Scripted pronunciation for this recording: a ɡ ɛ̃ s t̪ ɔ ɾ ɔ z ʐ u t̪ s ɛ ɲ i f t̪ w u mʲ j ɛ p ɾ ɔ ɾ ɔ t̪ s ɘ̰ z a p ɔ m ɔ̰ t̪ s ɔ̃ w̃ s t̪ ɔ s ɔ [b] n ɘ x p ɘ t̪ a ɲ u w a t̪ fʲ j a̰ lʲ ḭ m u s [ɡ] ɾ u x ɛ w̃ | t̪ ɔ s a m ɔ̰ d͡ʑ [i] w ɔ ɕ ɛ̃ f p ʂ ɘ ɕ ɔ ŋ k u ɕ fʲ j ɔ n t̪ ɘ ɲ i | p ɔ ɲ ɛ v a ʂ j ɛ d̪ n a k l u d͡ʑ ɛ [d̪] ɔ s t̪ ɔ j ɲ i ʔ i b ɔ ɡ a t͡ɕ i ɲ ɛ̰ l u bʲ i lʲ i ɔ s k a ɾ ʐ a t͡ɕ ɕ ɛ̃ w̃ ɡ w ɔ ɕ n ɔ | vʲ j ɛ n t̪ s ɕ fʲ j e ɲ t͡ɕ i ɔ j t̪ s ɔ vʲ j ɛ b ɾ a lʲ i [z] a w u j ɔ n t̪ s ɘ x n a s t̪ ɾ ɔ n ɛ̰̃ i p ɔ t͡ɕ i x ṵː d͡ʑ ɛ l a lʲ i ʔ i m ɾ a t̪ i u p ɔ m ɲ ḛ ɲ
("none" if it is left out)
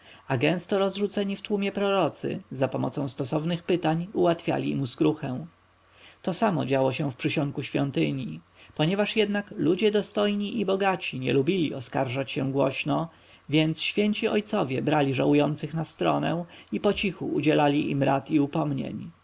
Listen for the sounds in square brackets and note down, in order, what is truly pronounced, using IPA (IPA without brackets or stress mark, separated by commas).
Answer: v, k, a, d̪, ʐ